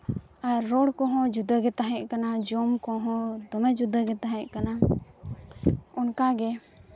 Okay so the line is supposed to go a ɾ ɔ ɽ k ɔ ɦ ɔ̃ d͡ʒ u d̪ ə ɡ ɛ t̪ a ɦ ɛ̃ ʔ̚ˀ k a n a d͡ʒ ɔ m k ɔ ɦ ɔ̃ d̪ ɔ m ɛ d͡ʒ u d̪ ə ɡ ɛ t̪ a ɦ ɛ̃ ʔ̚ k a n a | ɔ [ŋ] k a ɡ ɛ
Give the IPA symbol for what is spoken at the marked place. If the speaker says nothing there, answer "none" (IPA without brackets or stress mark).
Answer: n